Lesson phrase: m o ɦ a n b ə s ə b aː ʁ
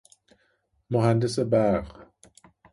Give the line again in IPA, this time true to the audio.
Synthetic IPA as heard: m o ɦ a n d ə s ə b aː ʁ

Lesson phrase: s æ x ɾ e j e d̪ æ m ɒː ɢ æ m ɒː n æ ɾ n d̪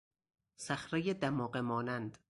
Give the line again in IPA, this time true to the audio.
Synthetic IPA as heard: s æ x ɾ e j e d̪ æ m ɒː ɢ e m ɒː n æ n d̪

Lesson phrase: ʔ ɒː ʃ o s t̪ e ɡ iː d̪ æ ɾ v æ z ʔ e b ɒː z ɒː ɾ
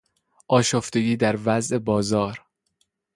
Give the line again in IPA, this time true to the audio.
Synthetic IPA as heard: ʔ ɒː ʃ o f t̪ e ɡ iː d̪ æ ɾ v æ z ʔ e b ɒː z ɒː ɾ

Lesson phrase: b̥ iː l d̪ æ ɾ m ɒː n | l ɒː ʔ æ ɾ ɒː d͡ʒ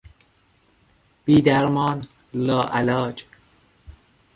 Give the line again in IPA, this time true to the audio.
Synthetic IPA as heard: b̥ iː d̪ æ ɾ m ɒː n | l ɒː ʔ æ l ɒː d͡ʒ

